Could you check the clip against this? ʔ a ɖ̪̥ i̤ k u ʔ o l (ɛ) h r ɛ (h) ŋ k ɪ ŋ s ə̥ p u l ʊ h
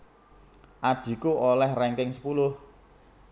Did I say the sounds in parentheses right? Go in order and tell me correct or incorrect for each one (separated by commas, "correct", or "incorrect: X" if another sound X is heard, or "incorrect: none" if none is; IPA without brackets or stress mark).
correct, incorrect: none